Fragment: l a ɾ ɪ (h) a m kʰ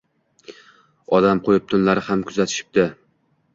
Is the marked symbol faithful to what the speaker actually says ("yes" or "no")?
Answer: yes